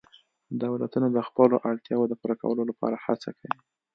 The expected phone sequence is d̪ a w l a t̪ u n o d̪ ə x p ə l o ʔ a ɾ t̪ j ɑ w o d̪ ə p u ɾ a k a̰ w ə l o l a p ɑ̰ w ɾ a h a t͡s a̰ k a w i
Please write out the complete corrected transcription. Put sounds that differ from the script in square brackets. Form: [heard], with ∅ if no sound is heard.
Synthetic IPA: d̪ a w l a t̪ u n o d̪ ə x p ə l o ʔ a [ɽ] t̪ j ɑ w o d̪ ə p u ɾ a k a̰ w ə l o l a p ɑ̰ [∅] ɾ a h a t͡s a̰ k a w i